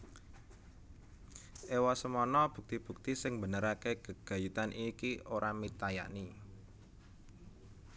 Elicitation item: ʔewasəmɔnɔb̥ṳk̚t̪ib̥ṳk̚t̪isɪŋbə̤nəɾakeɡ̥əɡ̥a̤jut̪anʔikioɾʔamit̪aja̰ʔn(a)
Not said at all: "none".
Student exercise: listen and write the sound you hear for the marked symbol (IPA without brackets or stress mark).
i